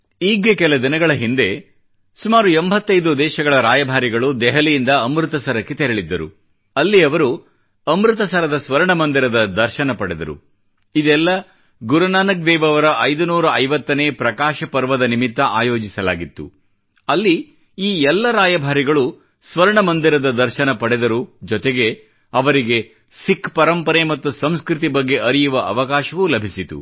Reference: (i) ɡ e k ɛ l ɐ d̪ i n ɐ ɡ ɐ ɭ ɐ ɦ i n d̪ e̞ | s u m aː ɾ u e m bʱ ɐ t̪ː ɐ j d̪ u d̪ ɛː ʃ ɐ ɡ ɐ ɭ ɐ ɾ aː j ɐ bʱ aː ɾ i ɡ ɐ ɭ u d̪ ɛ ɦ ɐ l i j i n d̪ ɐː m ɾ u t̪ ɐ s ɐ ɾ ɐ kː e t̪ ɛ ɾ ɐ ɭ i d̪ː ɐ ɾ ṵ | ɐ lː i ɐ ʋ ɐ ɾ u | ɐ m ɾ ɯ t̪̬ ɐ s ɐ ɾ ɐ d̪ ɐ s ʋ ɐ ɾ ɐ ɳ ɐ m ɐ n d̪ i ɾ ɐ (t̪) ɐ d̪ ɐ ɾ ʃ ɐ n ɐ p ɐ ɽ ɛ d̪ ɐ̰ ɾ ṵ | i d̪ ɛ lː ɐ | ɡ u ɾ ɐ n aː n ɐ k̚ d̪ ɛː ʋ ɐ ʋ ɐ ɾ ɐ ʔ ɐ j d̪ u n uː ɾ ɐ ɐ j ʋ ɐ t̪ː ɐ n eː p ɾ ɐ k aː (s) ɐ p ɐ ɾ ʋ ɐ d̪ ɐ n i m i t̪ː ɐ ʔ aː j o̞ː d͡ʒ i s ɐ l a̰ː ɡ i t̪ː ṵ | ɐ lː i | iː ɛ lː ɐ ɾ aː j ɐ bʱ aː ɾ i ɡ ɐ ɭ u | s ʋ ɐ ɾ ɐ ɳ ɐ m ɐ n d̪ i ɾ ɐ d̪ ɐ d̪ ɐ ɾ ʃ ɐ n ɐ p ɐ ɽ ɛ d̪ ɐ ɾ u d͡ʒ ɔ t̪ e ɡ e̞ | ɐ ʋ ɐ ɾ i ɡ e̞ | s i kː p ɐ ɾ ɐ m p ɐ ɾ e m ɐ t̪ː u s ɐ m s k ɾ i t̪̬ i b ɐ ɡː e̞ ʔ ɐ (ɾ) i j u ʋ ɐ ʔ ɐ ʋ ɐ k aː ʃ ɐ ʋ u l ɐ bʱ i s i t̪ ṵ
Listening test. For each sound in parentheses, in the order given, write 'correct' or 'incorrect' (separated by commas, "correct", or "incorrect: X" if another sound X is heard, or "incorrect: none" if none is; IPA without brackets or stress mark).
incorrect: iː, incorrect: d̪, incorrect: ʃ, correct